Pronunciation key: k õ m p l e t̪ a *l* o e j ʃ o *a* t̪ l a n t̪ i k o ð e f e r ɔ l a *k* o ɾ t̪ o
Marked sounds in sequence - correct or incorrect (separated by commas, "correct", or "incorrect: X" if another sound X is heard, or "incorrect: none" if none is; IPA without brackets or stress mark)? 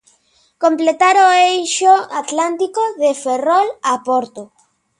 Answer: incorrect: ɾ, correct, incorrect: p